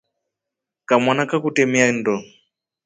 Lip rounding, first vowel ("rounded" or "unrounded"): unrounded